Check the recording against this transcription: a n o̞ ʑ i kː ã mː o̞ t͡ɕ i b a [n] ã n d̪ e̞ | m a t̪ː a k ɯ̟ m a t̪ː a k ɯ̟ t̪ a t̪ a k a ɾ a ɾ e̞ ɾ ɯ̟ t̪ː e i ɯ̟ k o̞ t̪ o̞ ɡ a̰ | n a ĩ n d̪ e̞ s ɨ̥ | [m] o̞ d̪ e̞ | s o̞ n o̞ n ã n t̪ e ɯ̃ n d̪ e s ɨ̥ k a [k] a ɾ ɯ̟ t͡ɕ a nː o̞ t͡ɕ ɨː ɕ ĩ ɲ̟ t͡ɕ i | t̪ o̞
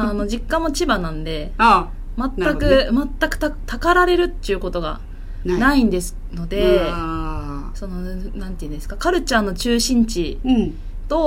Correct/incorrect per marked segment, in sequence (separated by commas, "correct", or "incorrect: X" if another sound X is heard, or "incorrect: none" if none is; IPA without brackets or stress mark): correct, incorrect: n, correct